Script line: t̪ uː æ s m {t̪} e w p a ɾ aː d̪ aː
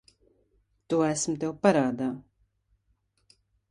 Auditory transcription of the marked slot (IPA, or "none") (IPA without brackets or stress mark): t̪